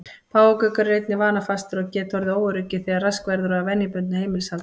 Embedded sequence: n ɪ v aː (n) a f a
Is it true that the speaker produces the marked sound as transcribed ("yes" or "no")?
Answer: yes